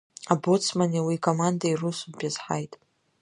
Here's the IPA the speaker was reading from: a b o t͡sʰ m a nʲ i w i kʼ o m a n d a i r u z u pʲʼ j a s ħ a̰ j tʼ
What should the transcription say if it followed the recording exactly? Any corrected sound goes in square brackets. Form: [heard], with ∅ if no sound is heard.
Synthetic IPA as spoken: a b o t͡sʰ m a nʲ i w i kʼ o m a n d a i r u [s] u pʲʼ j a [z] ħ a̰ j tʼ